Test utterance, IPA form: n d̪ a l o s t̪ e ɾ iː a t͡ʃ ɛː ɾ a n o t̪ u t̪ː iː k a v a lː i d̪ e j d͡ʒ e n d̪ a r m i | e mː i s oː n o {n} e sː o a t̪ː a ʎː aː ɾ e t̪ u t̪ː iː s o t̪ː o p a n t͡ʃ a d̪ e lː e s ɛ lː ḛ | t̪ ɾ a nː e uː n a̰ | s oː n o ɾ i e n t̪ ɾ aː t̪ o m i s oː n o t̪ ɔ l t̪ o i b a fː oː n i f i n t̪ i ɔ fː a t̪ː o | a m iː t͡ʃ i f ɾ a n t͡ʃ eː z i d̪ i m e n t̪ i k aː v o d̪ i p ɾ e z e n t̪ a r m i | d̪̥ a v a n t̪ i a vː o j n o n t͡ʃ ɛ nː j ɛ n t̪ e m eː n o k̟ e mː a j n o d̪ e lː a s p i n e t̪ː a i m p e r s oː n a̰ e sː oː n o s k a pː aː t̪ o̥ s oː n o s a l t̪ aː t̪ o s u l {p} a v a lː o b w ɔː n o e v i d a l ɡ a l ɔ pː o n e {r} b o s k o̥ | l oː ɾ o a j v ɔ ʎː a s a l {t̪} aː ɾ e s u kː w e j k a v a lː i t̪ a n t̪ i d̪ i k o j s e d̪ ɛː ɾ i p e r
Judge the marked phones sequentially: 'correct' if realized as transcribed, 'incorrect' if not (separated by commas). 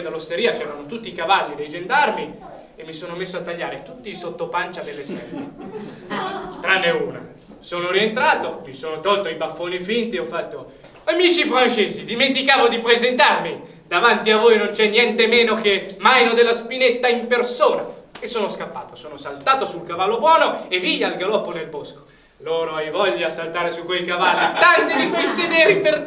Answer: incorrect, incorrect, incorrect, correct